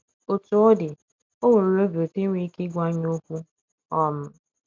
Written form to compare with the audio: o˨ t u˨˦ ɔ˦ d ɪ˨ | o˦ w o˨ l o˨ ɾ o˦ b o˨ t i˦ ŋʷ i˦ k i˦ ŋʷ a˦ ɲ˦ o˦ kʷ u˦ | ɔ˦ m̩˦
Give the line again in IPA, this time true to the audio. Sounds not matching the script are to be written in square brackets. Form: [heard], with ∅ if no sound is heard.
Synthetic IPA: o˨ t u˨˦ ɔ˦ d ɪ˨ | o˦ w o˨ [ɾ] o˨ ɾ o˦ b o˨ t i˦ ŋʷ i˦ k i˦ [ɡʷ] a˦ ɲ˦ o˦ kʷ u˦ | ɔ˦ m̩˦